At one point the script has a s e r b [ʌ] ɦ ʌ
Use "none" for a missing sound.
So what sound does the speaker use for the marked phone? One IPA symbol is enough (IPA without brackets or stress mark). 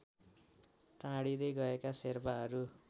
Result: a